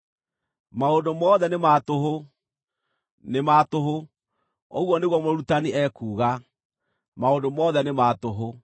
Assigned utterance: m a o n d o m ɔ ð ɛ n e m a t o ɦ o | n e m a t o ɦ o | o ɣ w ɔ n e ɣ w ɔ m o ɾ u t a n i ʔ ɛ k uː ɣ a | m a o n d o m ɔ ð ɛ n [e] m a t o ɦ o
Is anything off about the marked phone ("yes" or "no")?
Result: no